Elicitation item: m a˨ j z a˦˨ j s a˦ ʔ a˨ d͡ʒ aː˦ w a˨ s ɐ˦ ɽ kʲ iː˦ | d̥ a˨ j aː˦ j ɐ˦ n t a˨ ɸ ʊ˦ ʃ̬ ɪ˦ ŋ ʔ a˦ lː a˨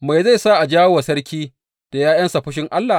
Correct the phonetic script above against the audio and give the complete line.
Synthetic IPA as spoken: m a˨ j z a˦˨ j s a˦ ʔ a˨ d͡ʒ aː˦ w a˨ s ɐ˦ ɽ kʲ iː˦ | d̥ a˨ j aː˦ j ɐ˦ n s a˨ ɸ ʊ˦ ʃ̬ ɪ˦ ŋ ʔ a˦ lː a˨